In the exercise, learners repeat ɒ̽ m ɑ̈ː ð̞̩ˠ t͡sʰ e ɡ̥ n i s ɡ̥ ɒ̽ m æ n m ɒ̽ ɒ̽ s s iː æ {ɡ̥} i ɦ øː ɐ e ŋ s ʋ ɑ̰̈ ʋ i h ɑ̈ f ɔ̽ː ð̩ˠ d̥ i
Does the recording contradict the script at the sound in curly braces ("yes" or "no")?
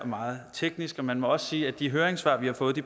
yes